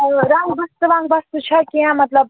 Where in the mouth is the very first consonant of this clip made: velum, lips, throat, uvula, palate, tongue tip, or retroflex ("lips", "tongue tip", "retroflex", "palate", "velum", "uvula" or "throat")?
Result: tongue tip